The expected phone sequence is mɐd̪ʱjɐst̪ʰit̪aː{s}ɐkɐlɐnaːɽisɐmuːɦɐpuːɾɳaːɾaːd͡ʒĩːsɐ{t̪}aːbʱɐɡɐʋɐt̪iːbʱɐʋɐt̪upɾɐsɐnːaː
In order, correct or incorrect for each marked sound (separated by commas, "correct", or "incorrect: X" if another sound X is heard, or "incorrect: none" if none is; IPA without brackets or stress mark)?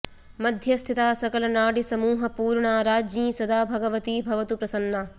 correct, incorrect: d̪